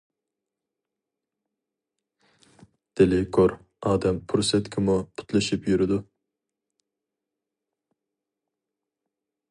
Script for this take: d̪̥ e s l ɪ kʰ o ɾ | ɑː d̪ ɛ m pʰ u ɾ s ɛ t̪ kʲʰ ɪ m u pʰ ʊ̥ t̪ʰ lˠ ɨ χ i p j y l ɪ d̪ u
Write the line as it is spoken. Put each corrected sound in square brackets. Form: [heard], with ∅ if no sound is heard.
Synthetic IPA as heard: d̪̥ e [∅] l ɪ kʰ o ɾ | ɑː d̪ ɛ m pʰ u ɾ s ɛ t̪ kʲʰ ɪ m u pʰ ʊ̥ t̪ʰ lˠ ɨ [ʃ] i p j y [ɾ] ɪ d̪ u